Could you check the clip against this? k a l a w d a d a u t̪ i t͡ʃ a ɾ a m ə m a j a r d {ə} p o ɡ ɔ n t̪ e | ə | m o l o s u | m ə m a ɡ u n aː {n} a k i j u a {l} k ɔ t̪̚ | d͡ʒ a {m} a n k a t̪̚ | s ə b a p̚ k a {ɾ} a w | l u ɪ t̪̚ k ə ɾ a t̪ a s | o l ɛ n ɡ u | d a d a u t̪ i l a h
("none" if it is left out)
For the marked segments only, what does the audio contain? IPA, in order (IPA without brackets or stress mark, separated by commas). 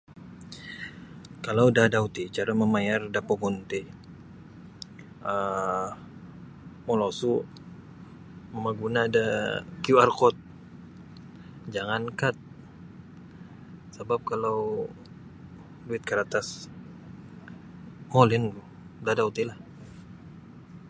a, d, r, ŋ, l